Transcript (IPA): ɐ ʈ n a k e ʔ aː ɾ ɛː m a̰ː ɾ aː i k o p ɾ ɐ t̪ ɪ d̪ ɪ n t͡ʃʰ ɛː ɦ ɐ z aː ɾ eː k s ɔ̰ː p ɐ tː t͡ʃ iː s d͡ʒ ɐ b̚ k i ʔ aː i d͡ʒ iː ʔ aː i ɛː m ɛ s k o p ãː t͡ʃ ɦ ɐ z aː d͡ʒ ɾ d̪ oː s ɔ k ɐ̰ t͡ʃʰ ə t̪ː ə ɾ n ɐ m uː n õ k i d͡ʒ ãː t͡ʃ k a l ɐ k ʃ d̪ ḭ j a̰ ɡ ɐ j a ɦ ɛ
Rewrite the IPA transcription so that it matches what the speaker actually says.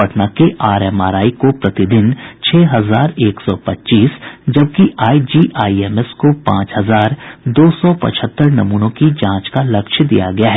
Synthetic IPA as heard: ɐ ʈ n a k e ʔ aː ɾ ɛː m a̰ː ɾ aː i k o p ɾ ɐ t̪ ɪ d̪ ɪ n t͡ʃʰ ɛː ɦ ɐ z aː ɾ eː k s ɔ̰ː p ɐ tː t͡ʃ iː s d͡ʒ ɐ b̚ k i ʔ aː i d͡ʒ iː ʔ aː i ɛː m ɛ s k o p ãː t͡ʃ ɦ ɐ z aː ɾ d̪ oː s ɔ p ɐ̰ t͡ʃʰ ə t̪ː ə ɾ n ɐ m uː n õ k i d͡ʒ ãː t͡ʃ k a l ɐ k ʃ d̪ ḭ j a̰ ɡ ɐ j a ɦ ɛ